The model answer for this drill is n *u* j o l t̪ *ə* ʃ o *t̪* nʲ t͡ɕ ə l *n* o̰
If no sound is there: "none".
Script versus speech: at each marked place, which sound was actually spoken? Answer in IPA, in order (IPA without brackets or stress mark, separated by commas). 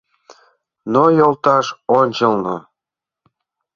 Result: o, ɑ, none, n